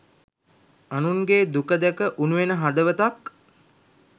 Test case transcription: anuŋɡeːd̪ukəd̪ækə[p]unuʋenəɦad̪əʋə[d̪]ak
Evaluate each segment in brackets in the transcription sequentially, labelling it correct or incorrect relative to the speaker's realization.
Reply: incorrect, incorrect

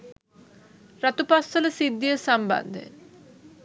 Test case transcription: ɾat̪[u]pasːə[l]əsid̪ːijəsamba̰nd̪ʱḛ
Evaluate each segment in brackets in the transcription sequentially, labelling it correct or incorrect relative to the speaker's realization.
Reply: correct, correct

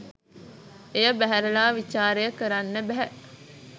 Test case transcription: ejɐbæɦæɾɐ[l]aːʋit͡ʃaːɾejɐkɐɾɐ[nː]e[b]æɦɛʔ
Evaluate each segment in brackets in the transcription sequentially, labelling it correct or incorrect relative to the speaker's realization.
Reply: correct, correct, correct

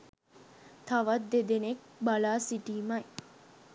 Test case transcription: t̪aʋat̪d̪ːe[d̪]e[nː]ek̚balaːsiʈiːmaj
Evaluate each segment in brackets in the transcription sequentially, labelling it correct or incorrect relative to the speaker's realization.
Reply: correct, incorrect

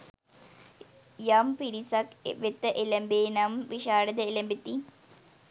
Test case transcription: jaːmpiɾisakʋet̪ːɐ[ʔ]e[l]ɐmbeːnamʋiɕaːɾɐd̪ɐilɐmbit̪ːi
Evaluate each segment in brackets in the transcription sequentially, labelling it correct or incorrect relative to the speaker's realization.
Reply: correct, correct

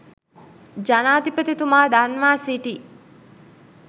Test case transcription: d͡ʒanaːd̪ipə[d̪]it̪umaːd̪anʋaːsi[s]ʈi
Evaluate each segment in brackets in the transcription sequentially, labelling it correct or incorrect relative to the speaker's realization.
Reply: incorrect, incorrect

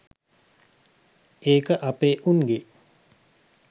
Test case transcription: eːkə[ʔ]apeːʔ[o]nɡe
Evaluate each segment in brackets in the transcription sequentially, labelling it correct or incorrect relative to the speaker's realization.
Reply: correct, incorrect

